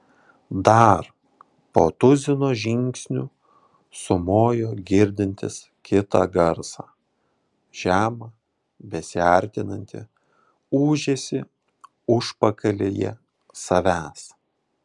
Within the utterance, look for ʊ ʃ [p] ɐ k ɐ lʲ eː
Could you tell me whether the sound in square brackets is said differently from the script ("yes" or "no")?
no